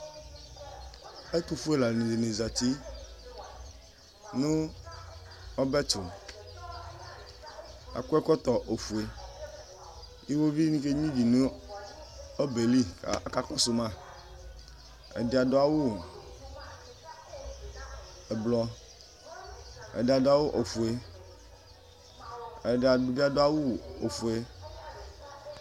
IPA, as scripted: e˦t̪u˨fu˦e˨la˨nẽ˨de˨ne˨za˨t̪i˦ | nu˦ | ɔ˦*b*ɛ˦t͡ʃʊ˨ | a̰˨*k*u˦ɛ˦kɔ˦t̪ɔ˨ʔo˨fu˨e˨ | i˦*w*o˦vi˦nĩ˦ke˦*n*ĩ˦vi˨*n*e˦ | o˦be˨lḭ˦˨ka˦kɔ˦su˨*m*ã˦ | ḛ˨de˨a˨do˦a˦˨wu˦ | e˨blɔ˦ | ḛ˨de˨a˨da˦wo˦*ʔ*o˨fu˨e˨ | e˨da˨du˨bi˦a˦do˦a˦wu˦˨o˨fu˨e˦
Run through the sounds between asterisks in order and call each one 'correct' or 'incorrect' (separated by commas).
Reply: correct, correct, correct, incorrect, correct, correct, correct